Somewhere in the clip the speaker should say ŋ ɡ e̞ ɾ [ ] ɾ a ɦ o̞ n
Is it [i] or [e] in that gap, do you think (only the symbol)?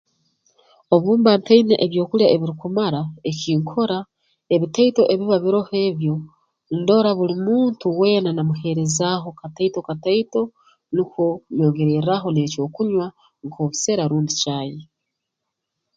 e